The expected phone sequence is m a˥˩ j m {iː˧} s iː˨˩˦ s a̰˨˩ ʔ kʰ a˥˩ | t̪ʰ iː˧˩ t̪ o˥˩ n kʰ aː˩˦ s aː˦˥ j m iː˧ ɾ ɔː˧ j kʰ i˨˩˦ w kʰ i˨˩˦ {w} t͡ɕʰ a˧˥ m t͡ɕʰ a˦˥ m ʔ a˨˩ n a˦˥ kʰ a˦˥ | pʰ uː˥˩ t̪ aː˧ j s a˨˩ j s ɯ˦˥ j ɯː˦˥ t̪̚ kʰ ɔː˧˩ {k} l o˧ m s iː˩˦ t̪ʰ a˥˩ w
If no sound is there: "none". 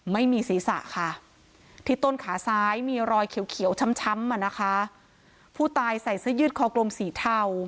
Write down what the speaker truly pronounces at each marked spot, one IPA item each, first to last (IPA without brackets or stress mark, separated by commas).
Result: iː˧, w, k